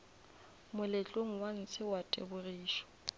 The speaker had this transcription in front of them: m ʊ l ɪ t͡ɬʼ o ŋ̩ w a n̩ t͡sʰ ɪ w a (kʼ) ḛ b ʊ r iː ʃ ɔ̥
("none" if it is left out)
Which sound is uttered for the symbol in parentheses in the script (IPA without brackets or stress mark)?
tʼ